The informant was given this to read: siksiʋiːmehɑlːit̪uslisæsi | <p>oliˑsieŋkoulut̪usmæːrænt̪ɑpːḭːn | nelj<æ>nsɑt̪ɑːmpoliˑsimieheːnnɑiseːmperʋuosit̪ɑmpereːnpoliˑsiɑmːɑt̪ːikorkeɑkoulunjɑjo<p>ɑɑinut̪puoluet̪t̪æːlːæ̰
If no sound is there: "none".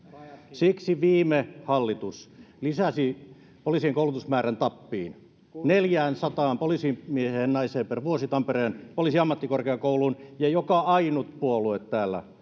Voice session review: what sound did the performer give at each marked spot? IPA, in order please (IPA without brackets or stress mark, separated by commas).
p, æː, k